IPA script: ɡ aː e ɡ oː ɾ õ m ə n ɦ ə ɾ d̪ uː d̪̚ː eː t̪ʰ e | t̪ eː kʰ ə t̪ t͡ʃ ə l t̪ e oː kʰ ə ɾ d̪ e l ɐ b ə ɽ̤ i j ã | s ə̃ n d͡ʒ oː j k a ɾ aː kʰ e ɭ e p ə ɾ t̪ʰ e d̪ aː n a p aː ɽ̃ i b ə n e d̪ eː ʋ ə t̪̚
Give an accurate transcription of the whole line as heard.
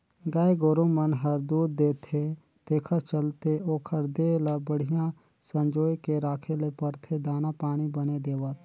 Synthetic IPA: ɡ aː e ɡ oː ɾ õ m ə n ɦ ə ɾ d̪ uː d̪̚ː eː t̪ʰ e | t̪ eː kʰ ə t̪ t͡ʃ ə l t̪ e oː kʰ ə ɾ d̪ e l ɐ b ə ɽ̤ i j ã | s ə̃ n d͡ʒ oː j k e ɾ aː kʰ e l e p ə ɾ t̪ʰ e d̪ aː n a p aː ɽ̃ i b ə n e d̪ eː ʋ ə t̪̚

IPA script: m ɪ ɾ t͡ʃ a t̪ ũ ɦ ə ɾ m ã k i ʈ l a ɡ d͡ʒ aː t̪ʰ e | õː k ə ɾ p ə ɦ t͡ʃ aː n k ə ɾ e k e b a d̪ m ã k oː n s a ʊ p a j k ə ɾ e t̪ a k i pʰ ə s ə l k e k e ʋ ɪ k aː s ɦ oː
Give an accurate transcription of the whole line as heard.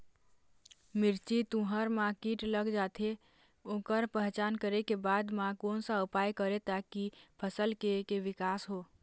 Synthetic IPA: m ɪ ɾ t͡ʃ i t̪ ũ ɦ ə ɾ m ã k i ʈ l ə ɡ d͡ʒ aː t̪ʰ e | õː k ə ɾ p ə ɦ t͡ʃ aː n k ə ɾ e k e b a d̪ m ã k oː n s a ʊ p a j k ə ɾ e t̪ a k i pʰ ə s ə l k e k e ʋ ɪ k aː s ɦ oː

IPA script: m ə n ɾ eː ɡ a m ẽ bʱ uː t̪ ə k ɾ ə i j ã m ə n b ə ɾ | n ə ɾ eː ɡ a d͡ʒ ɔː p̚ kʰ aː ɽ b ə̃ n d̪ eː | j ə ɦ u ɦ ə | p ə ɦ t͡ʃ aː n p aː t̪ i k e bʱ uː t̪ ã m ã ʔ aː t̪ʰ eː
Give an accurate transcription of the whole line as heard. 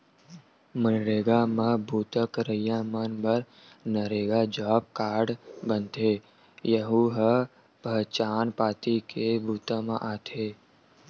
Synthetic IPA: m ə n ɾ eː ɡ a m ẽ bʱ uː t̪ ə k ɾ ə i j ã m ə n b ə ɾ | n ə ɾ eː ɡ a d͡ʒ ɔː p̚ k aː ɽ b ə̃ n t̪ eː | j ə ɦ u ɦ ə | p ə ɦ t͡ʃ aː n p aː t̪ i k e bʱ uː t̪ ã m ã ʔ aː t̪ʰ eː

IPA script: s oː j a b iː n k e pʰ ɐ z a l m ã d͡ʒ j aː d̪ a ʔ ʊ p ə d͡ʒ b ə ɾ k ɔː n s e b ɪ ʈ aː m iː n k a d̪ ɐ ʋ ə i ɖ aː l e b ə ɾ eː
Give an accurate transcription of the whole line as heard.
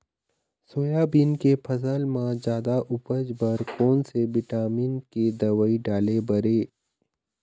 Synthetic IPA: s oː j a b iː n k e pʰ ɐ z ə l m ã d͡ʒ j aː d̪ a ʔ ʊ p ə d͡ʒ b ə ɾ k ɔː n s e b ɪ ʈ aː m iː n k e d̪ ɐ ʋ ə i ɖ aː l e b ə ɾ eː

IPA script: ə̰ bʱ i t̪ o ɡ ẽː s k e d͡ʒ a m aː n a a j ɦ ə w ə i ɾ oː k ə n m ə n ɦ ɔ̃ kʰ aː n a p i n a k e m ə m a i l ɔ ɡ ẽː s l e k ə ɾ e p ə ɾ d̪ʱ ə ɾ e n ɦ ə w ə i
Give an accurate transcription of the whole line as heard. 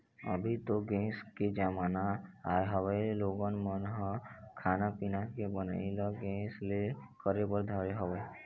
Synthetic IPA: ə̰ bʱ i t̪ o ɡ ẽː s k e d͡ʒ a m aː n a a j ɦ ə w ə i l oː ɡ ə n m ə n ɦ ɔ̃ kʰ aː n a p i n a k e b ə n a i l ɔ ɡ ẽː s l e k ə ɾ e b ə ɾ d̪ʱ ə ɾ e ɦ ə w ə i

